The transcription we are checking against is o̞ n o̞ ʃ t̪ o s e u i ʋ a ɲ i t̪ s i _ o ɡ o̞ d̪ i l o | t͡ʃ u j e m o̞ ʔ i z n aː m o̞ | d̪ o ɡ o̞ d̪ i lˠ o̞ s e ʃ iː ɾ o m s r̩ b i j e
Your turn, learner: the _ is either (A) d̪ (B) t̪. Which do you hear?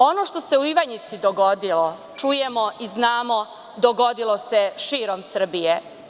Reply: A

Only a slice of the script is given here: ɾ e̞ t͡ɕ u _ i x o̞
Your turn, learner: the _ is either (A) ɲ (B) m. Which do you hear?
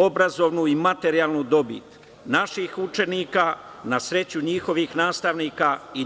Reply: A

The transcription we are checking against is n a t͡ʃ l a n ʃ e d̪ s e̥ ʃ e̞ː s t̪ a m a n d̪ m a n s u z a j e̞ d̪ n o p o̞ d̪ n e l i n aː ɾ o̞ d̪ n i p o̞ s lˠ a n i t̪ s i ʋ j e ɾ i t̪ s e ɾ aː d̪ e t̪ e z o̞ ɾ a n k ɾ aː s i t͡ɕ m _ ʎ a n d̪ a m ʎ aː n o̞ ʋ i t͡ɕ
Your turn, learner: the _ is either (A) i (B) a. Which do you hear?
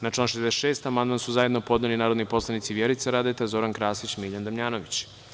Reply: A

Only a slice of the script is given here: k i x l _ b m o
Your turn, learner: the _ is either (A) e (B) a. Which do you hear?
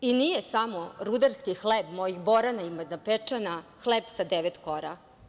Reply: A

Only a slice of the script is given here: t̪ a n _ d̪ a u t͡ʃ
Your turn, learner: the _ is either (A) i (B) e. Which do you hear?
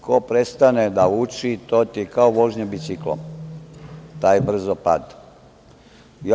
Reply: B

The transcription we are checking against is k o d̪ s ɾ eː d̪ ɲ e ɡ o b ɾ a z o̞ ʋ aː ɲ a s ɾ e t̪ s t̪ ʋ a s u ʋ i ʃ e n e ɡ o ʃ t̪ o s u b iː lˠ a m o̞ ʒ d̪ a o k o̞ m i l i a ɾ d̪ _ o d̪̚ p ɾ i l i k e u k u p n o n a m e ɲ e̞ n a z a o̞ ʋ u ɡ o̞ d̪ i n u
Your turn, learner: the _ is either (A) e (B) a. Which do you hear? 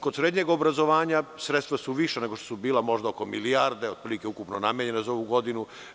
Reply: A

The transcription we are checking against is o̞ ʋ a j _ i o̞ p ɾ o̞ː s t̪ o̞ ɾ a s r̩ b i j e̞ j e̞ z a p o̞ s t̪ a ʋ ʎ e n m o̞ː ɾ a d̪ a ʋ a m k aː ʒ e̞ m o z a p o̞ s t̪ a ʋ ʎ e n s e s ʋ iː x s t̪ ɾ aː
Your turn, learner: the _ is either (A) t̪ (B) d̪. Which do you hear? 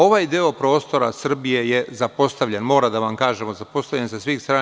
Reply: B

